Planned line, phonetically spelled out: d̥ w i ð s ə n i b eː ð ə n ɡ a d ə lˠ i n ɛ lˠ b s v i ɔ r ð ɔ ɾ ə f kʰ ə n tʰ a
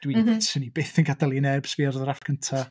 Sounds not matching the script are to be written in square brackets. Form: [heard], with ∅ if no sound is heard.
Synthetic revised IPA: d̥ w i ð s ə n i b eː [θ] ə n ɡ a d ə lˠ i n ɛ [∅] b s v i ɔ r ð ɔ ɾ [a] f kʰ ə n tʰ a